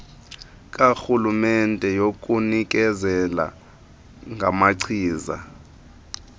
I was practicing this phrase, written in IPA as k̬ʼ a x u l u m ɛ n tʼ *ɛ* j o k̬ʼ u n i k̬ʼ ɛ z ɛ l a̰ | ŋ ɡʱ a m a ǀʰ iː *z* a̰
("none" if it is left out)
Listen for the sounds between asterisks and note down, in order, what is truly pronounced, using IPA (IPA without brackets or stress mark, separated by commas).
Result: ɛ, z